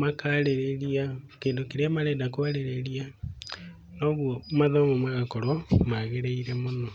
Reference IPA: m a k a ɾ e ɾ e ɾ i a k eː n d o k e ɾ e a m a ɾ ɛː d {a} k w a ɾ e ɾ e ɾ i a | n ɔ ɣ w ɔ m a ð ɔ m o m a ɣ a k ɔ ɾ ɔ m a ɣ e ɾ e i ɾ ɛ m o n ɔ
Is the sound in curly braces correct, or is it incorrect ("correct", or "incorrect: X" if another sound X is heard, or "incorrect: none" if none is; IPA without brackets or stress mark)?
correct